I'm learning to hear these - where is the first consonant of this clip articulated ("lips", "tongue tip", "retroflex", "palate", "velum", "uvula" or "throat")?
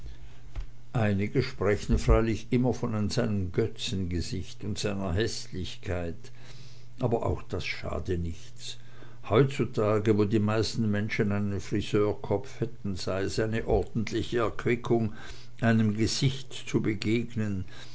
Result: throat